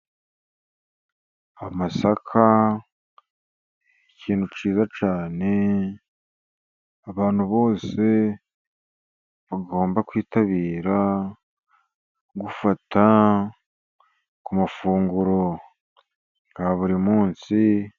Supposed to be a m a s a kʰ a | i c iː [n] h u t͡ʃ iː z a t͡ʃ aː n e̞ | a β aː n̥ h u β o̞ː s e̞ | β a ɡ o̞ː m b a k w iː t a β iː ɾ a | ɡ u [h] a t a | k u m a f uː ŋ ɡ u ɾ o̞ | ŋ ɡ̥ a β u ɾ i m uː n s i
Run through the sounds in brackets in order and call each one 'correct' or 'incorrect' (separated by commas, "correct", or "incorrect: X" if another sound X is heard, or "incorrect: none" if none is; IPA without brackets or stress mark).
correct, incorrect: f